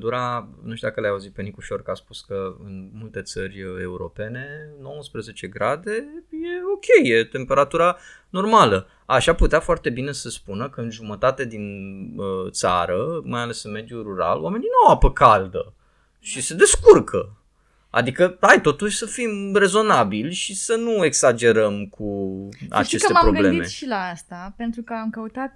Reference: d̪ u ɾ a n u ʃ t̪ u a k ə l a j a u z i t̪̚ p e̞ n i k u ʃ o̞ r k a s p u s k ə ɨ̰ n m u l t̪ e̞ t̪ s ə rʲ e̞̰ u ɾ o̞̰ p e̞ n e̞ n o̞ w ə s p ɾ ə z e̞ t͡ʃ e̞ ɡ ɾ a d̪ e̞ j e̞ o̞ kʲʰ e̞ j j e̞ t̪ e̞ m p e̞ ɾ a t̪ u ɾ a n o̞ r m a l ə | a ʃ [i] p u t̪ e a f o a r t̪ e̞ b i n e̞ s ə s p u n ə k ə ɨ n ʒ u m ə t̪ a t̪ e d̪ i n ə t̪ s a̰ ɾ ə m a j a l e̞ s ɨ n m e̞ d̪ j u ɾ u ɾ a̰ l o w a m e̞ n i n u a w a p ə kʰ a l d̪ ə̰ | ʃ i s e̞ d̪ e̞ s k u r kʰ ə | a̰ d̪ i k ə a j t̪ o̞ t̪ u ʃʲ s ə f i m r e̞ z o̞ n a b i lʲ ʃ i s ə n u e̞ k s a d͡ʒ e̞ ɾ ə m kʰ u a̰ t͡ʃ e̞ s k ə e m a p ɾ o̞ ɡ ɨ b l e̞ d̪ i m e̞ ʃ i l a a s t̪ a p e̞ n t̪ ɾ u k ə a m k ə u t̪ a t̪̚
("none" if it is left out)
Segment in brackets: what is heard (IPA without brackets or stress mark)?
a